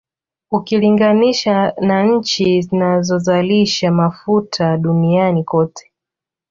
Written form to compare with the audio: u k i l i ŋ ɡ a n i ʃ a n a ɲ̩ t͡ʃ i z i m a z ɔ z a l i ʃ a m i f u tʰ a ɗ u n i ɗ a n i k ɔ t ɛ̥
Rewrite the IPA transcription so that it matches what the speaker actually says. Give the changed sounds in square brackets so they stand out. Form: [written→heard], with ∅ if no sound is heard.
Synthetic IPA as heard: u k i l i ŋ ɡ a n i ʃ a n a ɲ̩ t͡ʃ i z i [m→n] a z ɔ z a l i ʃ a m [i→a] f u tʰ a ɗ u n i [ɗ→∅] a n i k ɔ t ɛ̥